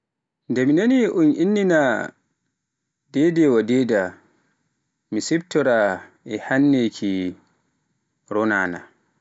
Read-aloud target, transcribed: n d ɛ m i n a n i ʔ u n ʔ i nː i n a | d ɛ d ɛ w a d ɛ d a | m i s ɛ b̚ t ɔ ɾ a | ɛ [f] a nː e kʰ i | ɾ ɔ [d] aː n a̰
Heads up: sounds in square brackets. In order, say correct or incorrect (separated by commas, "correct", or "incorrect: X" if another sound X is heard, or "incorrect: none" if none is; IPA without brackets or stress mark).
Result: incorrect: h, incorrect: n